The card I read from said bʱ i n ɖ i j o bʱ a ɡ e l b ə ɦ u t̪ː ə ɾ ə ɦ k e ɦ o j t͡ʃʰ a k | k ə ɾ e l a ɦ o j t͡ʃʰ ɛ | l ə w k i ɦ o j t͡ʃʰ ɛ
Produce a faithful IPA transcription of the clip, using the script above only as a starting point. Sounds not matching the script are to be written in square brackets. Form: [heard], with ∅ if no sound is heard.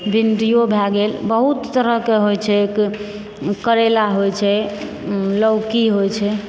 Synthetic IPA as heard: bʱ i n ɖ i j o bʱ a ɡ e l b ə ɦ u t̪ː ə ɾ ə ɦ k e ɦ o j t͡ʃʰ [ɛ] k | k ə ɾ e l a ɦ o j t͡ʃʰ ɛ | l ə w k i ɦ o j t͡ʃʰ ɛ